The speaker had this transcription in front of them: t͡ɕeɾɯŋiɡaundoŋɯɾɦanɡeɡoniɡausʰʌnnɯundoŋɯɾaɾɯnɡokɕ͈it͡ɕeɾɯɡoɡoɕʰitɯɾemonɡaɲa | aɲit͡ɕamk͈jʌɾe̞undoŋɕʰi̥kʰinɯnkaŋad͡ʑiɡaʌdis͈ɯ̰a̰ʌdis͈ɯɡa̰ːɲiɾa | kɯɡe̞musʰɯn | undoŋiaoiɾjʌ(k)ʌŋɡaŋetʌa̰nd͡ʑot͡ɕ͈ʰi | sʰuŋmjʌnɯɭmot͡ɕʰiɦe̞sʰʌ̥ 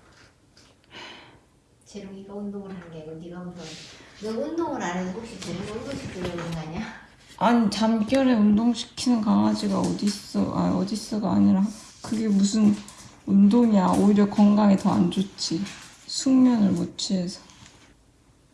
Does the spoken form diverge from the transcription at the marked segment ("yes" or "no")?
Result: no